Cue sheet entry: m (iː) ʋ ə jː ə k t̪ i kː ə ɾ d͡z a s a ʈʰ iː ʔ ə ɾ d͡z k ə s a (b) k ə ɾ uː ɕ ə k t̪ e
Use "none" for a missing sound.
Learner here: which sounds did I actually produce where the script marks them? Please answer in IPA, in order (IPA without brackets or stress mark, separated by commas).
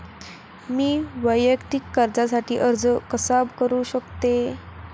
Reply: iː, b